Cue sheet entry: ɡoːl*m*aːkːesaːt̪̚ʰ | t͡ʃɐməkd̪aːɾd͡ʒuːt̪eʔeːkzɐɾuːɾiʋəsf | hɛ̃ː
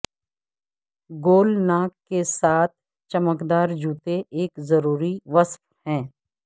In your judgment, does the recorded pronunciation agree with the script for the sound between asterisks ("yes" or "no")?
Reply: no